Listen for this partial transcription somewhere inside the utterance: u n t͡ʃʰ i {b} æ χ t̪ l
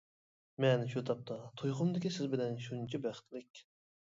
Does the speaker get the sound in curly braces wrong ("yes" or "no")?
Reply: no